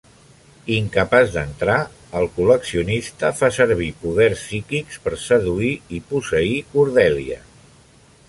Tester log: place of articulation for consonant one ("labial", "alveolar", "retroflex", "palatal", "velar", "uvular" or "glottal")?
velar